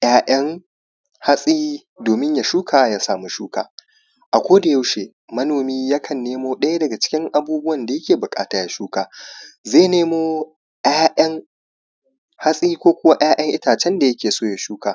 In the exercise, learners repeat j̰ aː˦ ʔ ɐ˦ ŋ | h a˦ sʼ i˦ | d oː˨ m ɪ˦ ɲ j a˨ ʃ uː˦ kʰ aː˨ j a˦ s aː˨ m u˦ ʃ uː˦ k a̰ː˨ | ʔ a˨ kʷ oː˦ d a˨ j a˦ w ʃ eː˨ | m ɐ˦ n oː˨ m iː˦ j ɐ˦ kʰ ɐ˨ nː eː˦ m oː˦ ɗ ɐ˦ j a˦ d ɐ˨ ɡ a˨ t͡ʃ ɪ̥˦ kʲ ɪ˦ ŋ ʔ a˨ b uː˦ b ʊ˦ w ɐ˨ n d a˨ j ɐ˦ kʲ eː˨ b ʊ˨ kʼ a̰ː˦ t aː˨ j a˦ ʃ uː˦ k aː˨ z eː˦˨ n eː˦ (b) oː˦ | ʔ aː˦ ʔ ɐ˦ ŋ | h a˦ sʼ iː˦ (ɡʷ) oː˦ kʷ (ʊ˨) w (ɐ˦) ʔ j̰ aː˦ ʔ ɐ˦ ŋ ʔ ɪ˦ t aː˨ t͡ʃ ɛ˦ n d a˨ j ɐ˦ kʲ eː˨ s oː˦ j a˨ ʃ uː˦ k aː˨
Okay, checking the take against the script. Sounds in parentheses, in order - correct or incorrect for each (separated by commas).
incorrect, incorrect, incorrect, incorrect